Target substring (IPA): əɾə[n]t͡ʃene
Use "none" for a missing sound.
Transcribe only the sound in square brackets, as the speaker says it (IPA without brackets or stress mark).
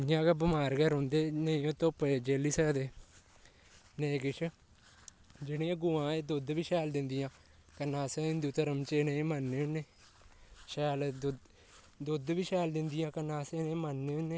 m